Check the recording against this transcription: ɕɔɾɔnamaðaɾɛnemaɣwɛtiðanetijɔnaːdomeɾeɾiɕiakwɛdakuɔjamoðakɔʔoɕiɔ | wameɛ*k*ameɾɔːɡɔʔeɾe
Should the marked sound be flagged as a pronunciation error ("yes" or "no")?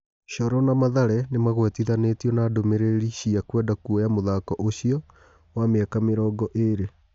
no